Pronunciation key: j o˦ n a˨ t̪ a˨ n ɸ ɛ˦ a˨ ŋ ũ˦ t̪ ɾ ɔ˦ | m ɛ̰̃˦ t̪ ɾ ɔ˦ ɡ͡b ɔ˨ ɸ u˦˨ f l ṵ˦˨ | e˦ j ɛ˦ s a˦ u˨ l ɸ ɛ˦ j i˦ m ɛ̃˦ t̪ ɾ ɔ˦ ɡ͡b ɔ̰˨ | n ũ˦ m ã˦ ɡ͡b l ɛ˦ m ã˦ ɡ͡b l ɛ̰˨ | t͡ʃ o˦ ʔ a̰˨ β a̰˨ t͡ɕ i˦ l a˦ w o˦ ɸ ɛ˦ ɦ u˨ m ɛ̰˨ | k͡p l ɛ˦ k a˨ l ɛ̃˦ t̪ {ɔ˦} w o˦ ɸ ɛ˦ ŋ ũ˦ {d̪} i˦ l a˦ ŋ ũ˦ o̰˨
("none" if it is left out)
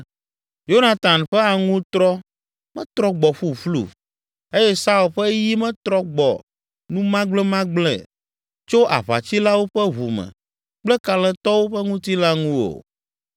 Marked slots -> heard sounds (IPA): ɔ˦, t̪

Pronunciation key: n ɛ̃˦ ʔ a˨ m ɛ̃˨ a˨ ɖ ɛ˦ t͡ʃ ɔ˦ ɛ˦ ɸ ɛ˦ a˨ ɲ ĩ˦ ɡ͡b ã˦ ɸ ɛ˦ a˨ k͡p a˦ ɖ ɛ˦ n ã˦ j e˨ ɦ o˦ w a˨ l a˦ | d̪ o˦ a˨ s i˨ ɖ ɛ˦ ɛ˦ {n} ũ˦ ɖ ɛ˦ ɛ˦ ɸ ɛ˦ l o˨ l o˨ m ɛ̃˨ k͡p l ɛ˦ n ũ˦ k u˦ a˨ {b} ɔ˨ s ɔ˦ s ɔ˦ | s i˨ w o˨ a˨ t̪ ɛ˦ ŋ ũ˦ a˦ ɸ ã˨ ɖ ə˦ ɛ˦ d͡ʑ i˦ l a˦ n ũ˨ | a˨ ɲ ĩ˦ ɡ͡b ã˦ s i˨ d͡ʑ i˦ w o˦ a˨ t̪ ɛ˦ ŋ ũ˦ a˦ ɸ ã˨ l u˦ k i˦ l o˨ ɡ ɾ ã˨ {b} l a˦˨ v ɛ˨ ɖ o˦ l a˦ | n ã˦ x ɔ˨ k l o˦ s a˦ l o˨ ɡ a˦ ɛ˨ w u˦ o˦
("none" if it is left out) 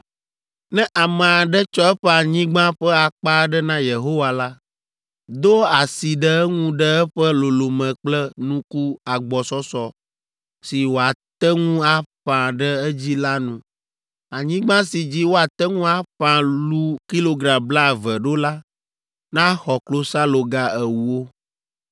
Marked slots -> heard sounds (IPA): ŋ, ɡ͡b, b

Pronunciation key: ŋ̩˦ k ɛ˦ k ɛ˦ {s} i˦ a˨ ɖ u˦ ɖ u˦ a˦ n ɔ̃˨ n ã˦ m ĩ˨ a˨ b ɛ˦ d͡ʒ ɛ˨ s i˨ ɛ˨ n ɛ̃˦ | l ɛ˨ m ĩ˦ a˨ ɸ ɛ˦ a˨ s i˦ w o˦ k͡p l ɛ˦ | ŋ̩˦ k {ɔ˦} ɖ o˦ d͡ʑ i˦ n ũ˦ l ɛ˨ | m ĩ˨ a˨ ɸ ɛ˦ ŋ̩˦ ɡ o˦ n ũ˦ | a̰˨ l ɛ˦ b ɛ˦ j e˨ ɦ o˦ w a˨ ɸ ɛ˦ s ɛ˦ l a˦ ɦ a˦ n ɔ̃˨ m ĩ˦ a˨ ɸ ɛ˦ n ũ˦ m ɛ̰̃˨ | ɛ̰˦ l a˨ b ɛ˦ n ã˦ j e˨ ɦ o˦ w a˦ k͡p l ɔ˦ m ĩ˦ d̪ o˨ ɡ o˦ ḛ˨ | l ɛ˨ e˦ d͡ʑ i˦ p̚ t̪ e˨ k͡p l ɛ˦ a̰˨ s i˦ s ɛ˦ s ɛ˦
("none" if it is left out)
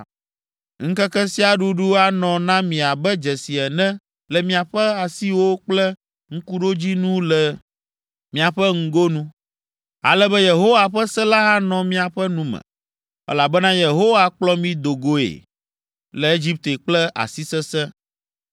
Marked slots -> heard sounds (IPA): s, u˦

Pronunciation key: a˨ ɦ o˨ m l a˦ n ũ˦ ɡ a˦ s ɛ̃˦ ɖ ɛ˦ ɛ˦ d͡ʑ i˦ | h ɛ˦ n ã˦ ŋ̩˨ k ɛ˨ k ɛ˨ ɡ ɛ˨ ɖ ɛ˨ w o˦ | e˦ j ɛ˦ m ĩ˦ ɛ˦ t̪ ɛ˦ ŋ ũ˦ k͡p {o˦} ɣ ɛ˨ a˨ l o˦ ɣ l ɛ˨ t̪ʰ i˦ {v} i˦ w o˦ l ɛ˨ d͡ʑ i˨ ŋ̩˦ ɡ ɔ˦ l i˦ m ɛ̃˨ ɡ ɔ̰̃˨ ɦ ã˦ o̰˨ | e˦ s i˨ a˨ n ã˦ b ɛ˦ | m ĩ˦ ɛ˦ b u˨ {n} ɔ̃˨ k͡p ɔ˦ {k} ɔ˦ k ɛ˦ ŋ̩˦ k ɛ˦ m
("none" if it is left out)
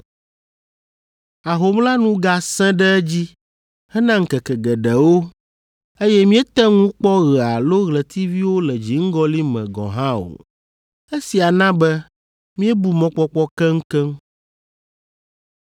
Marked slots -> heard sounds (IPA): ɔ˦, v, m, k͡p

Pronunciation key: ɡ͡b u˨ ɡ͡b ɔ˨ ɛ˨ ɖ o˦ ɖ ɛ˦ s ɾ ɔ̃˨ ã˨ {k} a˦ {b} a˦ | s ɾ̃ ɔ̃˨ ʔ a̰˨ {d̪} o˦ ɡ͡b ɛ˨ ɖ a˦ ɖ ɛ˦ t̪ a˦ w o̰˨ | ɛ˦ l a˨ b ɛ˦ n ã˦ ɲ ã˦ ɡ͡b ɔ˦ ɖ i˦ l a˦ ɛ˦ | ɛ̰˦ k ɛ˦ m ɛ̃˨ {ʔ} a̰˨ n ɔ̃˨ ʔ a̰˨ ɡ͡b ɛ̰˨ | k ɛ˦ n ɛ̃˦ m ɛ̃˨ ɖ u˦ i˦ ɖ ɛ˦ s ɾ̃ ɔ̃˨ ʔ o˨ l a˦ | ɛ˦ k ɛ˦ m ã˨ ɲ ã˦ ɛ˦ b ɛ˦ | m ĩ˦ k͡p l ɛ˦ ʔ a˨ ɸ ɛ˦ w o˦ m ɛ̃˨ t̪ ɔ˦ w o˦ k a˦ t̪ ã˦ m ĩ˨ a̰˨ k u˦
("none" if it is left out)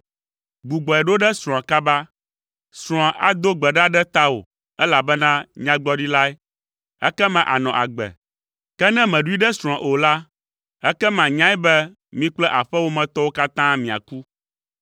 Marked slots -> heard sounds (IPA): k, b, d̪, ʔ

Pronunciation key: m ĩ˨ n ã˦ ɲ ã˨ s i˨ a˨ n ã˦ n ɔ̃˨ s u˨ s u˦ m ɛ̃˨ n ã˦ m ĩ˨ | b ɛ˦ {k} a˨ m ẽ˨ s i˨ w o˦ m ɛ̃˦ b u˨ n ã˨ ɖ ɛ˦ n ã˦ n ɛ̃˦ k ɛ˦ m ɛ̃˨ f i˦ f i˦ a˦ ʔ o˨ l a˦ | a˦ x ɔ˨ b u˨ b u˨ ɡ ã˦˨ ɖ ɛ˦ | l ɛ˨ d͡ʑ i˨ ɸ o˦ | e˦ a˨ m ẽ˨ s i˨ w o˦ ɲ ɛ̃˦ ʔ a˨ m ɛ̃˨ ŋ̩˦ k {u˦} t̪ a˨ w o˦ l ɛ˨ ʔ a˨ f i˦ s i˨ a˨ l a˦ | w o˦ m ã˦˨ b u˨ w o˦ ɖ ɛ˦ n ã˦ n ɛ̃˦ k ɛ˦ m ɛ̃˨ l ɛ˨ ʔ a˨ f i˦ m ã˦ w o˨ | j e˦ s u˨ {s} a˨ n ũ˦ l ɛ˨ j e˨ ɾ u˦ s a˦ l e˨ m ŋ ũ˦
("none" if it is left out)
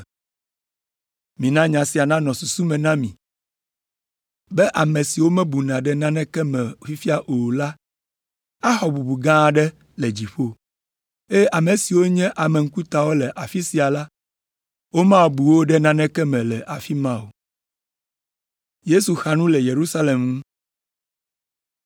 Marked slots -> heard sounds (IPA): ʔ, u˦, x

